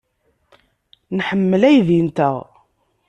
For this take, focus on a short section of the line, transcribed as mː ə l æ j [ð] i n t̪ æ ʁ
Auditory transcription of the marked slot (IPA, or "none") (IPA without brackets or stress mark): ð